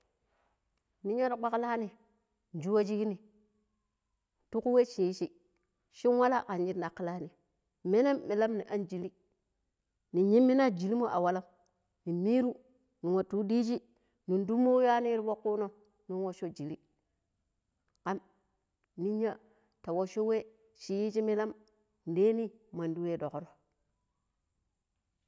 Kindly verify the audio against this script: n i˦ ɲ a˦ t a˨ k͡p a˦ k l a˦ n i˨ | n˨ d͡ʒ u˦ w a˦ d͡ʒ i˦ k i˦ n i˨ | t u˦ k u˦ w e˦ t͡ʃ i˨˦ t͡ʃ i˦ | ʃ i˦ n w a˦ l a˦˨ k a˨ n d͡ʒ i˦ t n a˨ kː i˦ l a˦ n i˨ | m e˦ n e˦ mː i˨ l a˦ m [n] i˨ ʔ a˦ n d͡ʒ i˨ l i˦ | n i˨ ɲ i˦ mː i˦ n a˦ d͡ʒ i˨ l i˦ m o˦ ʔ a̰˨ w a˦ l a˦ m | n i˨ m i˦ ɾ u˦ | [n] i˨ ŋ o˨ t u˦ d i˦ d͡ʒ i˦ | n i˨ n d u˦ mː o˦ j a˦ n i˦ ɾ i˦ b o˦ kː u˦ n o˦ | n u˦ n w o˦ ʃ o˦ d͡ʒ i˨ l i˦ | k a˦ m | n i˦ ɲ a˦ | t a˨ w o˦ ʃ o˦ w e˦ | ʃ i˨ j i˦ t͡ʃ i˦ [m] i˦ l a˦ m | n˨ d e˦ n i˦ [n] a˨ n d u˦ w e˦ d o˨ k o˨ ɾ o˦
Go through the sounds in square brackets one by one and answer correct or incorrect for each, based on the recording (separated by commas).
correct, correct, correct, incorrect